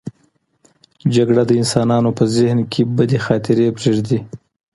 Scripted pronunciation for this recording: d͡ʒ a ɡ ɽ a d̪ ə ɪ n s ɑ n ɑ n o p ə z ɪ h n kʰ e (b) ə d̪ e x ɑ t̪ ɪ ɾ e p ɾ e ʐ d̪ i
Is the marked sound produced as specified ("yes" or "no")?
yes